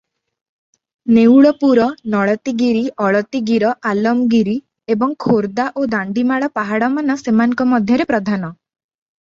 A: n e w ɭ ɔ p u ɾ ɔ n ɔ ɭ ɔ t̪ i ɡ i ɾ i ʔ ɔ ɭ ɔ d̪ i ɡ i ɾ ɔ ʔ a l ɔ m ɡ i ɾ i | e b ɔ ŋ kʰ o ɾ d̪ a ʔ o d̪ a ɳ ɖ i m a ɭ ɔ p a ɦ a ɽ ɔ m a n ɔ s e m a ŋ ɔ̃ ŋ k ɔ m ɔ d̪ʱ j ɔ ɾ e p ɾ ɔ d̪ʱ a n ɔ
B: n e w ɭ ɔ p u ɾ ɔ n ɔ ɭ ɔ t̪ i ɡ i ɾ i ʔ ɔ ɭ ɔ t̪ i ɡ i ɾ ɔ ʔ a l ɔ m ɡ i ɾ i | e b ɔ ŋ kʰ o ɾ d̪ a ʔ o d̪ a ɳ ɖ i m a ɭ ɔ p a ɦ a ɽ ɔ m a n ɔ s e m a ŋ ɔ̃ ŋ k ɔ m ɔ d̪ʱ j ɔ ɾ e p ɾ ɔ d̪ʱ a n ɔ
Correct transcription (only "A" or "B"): B